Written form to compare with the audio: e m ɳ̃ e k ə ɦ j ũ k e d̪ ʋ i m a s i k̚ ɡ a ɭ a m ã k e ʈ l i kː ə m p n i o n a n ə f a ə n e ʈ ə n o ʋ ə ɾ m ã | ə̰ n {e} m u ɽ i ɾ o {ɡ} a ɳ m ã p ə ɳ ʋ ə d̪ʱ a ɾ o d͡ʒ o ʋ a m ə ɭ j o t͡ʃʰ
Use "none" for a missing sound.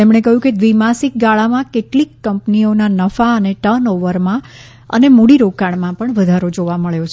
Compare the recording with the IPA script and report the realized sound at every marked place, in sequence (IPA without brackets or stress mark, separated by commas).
e, k